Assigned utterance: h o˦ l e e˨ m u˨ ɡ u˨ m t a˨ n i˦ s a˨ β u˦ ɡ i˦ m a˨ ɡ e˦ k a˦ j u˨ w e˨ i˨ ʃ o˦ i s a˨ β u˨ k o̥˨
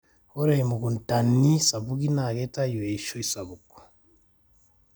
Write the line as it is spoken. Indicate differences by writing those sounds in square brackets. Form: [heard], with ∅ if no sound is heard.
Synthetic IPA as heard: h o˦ [ɾ] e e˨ m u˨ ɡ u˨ [n] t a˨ n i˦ s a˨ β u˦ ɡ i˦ [n] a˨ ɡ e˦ [t] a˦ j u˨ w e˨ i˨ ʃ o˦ i s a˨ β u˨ k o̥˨